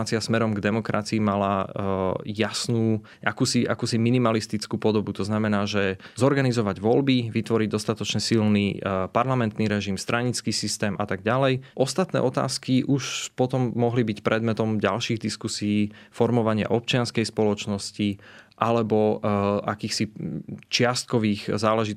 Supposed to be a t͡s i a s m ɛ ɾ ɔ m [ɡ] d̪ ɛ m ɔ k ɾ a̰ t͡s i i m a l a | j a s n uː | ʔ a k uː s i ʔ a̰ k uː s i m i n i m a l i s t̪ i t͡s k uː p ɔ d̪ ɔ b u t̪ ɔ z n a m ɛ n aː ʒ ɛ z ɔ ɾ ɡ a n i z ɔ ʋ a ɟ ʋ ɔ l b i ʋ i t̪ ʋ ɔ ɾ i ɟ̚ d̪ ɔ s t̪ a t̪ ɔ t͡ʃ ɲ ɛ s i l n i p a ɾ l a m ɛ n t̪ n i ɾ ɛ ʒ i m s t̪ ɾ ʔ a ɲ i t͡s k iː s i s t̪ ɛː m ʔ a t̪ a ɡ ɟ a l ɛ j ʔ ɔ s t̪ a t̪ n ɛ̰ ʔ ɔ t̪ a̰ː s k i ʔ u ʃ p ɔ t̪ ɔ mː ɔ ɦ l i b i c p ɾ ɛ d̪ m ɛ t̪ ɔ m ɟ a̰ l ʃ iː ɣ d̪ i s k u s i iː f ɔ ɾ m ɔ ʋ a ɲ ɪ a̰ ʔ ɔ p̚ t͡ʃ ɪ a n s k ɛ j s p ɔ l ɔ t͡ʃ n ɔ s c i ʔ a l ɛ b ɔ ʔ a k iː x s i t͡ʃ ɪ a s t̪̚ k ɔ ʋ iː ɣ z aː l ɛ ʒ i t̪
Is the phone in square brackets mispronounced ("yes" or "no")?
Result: no